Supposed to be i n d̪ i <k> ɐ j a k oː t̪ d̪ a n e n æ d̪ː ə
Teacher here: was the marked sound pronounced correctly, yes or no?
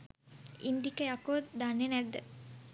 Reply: yes